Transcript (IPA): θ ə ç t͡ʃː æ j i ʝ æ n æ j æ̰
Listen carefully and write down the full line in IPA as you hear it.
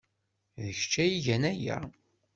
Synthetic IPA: ð ə ç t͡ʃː æ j i ʝ æ n æ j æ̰